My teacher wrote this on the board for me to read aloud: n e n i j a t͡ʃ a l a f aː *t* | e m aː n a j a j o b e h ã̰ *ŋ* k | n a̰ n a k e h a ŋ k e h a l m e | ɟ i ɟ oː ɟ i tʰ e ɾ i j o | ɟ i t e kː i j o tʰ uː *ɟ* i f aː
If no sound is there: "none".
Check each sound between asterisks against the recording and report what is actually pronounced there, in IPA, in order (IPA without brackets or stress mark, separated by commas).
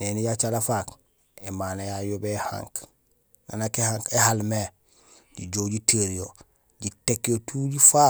k, ŋ, ɟ